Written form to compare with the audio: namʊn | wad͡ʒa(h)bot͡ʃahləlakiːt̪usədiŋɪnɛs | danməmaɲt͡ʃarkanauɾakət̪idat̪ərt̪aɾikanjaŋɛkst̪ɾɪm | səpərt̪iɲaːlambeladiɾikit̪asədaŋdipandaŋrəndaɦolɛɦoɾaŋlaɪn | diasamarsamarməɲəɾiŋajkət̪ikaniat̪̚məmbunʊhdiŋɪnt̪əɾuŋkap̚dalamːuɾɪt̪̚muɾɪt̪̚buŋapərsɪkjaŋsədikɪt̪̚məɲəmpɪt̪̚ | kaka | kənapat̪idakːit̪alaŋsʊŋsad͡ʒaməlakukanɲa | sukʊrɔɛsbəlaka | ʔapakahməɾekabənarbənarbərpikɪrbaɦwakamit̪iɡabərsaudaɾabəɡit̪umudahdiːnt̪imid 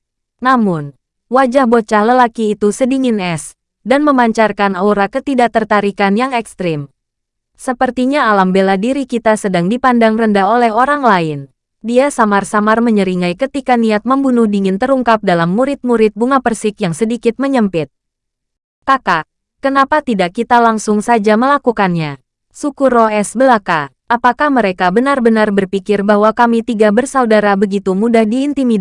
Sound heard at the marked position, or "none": h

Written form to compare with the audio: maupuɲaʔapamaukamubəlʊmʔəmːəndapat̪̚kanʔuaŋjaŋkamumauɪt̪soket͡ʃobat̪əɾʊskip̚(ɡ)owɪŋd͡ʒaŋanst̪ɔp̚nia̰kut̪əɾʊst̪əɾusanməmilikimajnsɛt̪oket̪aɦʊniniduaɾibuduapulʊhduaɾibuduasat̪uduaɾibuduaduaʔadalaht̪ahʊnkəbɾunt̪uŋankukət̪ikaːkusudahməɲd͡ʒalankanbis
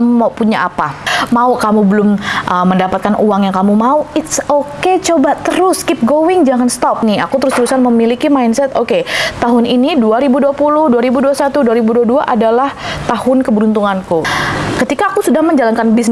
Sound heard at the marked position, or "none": ɡ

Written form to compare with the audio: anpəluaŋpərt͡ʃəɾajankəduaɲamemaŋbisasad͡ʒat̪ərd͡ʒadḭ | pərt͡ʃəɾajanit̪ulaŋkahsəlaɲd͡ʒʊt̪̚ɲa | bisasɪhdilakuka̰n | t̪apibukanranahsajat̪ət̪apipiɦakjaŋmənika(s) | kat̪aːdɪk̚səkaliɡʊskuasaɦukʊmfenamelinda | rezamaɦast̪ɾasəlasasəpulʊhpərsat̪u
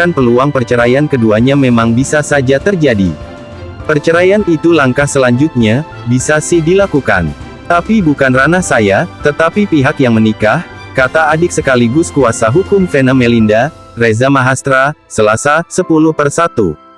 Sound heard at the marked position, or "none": h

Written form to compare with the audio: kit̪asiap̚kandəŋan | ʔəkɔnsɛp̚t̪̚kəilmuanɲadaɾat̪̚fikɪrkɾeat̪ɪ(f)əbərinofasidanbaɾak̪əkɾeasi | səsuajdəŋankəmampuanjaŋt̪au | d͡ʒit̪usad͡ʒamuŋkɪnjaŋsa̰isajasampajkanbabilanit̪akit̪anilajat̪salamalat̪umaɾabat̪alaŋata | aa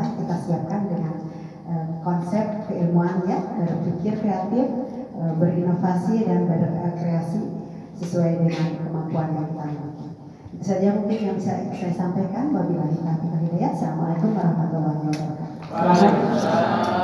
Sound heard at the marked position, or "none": f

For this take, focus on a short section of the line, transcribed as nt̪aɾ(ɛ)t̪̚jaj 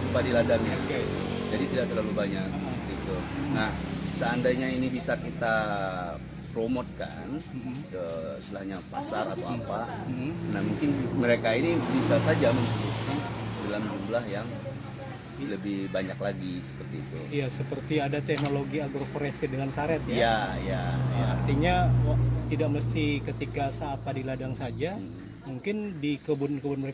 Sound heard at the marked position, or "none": ɛ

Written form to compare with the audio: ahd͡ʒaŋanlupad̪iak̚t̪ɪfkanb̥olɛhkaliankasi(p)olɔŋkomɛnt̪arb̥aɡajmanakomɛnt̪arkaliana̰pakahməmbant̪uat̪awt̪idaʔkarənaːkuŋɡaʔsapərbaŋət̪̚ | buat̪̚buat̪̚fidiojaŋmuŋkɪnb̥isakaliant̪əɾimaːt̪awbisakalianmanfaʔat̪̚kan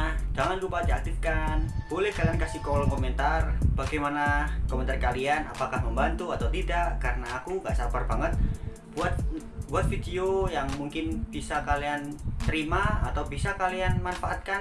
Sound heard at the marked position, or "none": k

